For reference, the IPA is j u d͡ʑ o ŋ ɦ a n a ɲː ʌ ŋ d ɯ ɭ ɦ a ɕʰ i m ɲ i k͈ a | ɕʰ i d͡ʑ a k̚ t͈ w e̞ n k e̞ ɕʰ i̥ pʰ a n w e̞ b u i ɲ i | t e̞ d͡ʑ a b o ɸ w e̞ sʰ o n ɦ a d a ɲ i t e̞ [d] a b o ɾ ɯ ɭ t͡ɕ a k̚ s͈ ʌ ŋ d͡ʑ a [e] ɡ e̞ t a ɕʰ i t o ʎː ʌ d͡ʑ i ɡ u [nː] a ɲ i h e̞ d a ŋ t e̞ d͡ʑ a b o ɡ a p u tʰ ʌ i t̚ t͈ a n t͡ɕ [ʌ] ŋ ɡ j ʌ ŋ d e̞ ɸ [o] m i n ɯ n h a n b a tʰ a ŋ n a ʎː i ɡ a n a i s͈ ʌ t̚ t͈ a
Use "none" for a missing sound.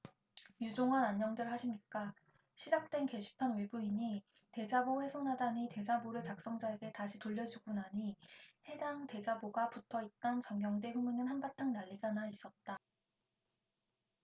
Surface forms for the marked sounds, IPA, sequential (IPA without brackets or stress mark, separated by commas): d͡ʑ, e, n, ʌ, u